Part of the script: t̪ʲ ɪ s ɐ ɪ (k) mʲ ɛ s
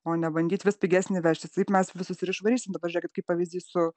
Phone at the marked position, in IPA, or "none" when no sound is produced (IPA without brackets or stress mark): p